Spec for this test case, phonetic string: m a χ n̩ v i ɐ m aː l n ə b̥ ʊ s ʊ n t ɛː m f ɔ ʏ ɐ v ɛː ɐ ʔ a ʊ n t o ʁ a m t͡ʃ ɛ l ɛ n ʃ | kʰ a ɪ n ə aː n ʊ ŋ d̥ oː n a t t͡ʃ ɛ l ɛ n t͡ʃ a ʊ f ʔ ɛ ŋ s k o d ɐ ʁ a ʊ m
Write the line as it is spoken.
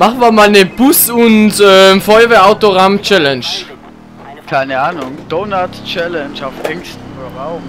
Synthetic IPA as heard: m a χ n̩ v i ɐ m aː l n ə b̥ ʊ s ʊ n t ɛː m f ɔ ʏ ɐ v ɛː ɐ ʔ a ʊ t o ʁ a m t͡ʃ ɛ l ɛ n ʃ | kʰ a ɪ n ə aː n ʊ ŋ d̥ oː n a t t͡ʃ ɛ l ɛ n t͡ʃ a ʊ f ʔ ɛ ŋ s t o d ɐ ʁ a ʊ m